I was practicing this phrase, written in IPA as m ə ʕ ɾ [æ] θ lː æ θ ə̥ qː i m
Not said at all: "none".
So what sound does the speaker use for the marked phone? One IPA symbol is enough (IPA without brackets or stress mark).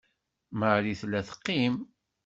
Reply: i